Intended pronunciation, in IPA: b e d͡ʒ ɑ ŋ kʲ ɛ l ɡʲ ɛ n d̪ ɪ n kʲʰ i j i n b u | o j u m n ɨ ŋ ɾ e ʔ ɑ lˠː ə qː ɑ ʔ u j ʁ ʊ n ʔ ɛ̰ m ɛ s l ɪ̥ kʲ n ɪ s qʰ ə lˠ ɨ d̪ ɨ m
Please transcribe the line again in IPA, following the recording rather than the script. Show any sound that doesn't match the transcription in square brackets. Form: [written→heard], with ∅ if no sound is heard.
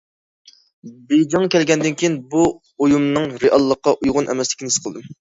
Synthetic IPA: b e d͡ʒ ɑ ŋ kʲ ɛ l ɡʲ ɛ n d̪ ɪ n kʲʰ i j i n b u | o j u m n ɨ ŋ ɾ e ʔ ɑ lˠː ə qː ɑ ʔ u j ʁ ʊ n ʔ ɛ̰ m ɛ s l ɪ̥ kʲ n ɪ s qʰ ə lˠ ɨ d̪ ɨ m